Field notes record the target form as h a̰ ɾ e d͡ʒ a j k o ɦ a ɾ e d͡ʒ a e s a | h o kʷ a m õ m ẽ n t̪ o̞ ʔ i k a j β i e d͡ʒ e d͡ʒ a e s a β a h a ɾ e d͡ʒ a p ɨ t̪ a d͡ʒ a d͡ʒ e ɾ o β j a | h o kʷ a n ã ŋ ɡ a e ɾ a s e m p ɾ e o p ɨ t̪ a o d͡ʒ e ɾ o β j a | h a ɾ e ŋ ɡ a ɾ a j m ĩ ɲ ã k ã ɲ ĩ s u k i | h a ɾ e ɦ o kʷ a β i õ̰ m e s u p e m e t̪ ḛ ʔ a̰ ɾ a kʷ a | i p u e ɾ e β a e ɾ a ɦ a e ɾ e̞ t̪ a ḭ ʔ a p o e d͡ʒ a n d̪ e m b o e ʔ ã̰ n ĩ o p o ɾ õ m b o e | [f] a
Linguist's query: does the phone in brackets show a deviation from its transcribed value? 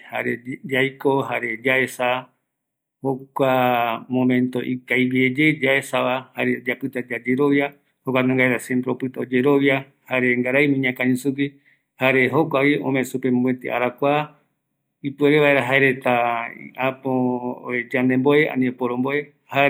yes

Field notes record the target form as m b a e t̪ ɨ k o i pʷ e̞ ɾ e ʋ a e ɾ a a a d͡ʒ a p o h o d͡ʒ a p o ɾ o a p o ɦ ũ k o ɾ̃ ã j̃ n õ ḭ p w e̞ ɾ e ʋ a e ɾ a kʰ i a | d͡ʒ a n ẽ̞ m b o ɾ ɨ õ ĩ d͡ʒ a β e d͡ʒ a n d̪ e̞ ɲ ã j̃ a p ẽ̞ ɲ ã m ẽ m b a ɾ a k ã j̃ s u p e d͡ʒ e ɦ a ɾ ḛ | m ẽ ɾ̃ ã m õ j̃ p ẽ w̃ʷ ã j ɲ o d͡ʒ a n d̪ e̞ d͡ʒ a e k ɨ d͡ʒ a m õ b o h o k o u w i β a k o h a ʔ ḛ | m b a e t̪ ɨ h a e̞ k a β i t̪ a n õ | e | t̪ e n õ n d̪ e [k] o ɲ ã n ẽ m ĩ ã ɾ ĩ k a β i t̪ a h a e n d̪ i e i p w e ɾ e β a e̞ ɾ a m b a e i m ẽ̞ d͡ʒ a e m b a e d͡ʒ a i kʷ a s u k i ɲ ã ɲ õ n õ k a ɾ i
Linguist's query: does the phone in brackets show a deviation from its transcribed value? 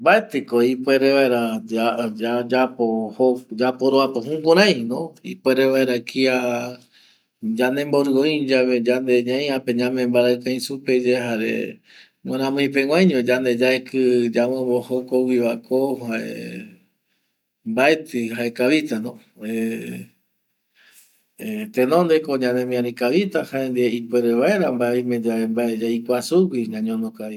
no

